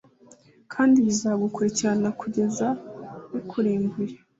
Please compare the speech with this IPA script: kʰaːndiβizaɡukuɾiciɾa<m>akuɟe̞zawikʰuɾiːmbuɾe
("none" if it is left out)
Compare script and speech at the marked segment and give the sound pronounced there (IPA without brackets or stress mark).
n